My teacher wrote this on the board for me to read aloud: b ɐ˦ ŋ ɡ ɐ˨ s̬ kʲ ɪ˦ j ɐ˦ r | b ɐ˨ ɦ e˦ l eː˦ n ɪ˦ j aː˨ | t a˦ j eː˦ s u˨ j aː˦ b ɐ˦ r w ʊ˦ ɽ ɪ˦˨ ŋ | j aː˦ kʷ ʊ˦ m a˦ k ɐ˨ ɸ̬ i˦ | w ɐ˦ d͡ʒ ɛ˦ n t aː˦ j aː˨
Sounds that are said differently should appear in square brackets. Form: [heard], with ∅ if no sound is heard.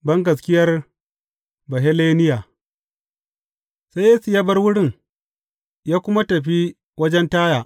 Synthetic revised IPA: b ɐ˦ ŋ ɡ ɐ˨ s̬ kʲ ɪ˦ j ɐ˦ r | b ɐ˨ ɦ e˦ l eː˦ n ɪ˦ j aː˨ | [s] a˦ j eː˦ s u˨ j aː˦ b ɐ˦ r w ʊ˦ ɽ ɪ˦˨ ŋ | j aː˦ kʷ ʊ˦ m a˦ [t] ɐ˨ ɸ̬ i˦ | w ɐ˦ d͡ʒ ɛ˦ n t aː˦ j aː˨

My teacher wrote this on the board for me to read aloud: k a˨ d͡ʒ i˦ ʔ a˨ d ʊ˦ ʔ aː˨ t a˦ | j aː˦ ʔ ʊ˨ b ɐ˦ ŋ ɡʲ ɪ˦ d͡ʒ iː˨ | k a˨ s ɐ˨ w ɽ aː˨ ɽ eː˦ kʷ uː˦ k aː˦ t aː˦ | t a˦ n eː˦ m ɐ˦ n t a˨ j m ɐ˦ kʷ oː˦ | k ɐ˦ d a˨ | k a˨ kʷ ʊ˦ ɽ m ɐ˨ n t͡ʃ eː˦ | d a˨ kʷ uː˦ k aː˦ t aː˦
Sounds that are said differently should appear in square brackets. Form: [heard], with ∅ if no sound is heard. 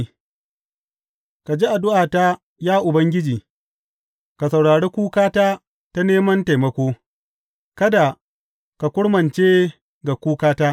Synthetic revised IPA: k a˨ d͡ʒ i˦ ʔ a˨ d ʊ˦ ʔ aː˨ t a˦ | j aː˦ ʔ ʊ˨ b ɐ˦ ŋ ɡʲ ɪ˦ d͡ʒ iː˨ | k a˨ s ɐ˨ w ɽ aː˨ ɽ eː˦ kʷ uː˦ k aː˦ t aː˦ | t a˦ n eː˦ m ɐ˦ n t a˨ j m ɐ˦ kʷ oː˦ | k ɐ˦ d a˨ | k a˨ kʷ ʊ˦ ɽ m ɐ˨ n t͡ʃ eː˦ | [ɡ] a˨ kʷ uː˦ k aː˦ t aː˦

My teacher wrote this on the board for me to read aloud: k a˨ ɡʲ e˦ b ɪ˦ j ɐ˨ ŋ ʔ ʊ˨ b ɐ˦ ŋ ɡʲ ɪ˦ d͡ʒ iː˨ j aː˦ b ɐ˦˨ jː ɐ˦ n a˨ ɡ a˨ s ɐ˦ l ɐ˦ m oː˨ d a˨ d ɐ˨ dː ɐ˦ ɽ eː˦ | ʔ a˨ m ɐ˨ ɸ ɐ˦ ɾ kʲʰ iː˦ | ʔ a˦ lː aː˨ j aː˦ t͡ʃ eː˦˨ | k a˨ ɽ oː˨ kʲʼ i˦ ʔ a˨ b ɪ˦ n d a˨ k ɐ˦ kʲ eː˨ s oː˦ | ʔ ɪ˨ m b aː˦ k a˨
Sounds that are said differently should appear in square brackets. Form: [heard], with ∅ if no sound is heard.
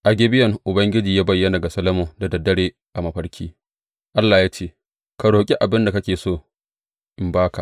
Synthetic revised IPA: [ʔ] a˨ ɡʲ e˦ b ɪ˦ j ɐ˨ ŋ ʔ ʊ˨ b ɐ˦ ŋ ɡʲ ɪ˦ d͡ʒ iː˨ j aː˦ b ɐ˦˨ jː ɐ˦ n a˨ ɡ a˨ s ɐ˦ l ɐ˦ m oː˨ d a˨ d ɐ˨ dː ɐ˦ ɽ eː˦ | ʔ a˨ m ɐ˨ ɸ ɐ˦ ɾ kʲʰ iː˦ | ʔ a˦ lː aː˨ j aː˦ t͡ʃ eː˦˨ | k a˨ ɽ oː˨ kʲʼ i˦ ʔ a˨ b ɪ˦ n d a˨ k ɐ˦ kʲ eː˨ s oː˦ | ʔ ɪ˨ m b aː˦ k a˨

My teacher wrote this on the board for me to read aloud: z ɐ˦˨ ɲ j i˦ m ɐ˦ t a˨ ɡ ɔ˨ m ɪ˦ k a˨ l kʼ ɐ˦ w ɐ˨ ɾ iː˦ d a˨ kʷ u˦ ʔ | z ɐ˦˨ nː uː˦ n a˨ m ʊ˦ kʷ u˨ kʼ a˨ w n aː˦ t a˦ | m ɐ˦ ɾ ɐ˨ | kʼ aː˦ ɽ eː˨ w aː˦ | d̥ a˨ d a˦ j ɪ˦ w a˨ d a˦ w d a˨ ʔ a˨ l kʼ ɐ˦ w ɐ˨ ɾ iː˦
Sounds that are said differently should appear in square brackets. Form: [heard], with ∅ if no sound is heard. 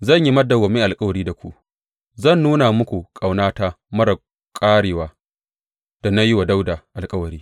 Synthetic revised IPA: z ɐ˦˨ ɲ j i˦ m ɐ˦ [d] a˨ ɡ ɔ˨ m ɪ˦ [ʔ] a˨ l kʼ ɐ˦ w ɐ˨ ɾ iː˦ d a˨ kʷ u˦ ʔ | z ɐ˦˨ nː uː˦ n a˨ m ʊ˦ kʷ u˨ kʼ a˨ w n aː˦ t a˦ | m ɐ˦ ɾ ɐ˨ | kʼ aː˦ ɽ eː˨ w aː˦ | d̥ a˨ [n] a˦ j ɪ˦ w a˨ d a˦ w d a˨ ʔ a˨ l kʼ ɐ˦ w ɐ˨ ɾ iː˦

